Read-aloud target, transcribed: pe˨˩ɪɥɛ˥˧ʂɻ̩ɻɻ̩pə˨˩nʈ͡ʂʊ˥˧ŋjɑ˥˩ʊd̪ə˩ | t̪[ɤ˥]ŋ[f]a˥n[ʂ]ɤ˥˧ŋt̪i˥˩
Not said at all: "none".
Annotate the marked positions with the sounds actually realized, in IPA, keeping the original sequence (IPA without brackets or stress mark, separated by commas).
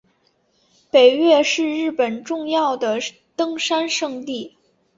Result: ɤ˥, ʂ, ʂ